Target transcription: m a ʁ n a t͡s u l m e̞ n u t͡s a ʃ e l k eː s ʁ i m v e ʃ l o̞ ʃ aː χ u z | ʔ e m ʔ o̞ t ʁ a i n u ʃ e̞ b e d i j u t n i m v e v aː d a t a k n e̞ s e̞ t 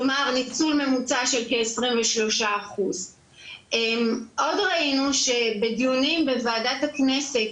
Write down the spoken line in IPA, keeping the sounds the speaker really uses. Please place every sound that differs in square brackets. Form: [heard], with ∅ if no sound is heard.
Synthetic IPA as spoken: m a ʁ n [i] t͡s u l m e̞ [m] u t͡s a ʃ e l k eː s ʁ i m v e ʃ l o̞ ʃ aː χ u z | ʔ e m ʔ o̞ [d] ʁ a i n u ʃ e̞ b e d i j u [∅] n i m [b] e v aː d a t a k n e̞ s e̞ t

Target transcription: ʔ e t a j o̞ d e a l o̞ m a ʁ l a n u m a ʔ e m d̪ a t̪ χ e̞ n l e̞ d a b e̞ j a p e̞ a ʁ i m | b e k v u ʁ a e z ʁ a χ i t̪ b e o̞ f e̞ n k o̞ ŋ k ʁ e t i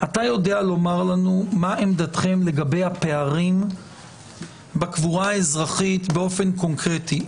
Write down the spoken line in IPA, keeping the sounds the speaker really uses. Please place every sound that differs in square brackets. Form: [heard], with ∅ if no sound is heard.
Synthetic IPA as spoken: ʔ [a] t a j o̞ d e a l o̞ m a ʁ l a n u m a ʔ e m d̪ a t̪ χ e̞ [m] l e̞ [ɡ] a b e̞ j a p e̞ a ʁ i m | b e k v u ʁ a e z ʁ a χ i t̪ b e o̞ f e̞ n k o̞ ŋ k ʁ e t i

